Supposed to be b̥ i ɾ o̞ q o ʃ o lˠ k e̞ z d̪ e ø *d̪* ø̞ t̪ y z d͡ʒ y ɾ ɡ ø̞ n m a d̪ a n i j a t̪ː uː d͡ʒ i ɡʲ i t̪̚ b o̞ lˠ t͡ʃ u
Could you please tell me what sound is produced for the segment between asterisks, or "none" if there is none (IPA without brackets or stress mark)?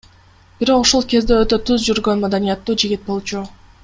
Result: t̪